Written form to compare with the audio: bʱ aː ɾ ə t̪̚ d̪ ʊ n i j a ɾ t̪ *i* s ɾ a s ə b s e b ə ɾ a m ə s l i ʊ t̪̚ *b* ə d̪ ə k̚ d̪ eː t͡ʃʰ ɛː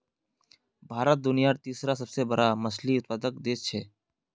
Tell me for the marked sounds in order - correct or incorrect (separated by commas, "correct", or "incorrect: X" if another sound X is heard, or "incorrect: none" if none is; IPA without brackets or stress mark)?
incorrect: iː, incorrect: p